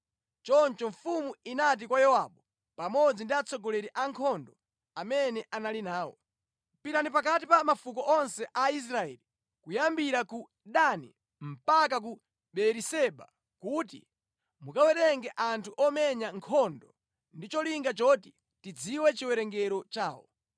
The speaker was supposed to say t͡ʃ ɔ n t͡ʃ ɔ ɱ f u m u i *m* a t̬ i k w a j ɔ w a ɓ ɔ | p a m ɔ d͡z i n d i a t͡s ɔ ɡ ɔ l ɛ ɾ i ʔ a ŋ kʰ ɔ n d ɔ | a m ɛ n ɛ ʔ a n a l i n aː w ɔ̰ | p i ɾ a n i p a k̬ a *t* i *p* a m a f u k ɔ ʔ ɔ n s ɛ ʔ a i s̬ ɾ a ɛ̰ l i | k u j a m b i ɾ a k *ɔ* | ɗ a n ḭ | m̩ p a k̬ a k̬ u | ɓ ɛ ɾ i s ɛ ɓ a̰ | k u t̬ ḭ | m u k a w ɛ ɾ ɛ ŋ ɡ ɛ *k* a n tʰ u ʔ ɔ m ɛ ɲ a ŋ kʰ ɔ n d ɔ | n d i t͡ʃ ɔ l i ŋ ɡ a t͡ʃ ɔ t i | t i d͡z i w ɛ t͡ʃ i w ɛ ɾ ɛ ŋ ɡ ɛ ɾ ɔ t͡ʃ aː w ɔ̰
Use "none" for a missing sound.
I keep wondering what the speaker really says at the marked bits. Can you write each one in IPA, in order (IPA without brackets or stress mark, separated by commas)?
n, t, p, u, ʔ